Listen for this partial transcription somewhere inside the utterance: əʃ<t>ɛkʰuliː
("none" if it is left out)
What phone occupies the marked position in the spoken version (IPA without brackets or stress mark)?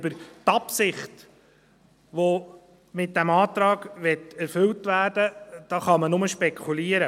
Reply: p